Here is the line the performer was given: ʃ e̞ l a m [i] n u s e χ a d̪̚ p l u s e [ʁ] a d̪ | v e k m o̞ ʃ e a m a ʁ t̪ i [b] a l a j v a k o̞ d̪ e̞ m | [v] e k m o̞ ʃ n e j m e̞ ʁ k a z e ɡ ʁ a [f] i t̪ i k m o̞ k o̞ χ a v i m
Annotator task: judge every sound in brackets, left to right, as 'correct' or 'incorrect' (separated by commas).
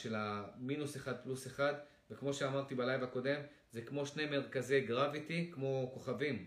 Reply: correct, incorrect, correct, incorrect, incorrect